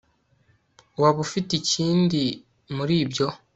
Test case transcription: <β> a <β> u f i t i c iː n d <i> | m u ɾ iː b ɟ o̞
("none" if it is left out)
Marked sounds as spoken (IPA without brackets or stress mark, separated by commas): w, β, i